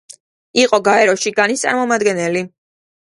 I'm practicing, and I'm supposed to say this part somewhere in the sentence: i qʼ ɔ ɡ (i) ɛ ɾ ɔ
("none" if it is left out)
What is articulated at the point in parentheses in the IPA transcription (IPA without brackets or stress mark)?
a